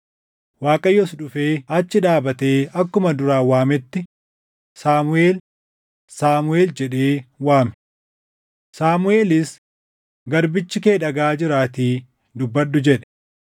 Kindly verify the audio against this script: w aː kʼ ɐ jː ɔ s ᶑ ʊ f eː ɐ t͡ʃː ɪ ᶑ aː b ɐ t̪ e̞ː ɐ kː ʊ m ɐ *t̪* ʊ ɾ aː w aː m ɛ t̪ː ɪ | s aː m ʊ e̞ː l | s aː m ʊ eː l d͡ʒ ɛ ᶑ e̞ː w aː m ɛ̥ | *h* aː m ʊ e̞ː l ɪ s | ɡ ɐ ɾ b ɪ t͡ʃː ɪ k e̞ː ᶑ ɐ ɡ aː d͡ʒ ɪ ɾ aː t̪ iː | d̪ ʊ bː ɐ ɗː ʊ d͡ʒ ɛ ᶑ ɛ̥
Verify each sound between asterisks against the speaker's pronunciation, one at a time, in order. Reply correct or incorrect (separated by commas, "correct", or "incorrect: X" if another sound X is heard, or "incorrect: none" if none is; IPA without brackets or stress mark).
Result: incorrect: d̪, incorrect: s